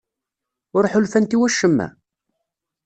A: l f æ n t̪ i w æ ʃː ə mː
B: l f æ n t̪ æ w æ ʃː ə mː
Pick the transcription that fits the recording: A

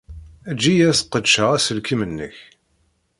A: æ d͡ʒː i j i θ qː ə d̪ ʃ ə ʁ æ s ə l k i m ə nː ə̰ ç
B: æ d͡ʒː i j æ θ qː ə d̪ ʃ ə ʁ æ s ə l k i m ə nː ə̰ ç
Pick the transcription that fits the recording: B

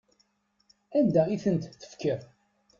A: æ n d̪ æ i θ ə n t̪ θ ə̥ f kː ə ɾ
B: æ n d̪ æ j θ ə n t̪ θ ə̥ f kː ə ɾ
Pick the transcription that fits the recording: A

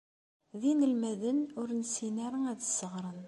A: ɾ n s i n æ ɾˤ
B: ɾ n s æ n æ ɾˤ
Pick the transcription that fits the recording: A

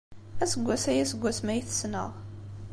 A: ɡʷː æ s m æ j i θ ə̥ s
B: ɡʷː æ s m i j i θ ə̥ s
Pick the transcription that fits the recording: A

